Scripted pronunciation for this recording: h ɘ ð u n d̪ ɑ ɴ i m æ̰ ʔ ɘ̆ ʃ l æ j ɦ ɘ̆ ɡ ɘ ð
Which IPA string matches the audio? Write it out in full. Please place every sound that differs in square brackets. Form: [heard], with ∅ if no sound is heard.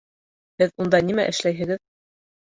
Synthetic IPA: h ɘ ð u n d̪ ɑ [n] i m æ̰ ʔ ɘ̆ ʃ l æ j ɦ ɘ̆ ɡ ɘ ð